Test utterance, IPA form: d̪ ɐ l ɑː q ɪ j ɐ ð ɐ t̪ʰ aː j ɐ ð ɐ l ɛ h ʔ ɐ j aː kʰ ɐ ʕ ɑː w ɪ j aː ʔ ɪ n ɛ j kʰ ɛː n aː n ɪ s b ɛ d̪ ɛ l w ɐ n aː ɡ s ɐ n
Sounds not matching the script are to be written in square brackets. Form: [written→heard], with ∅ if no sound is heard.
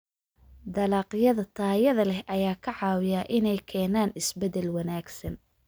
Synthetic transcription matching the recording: d̪ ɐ l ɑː q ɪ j ɐ ð ɐ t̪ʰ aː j ɐ ð ɐ l ɛ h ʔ ɐ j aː kʰ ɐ ʕ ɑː w ɪ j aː ʔ ɪ n ɛ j kʰ ɛː n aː n ɪ s b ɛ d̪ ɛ l w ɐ n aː ɡ s ɐ n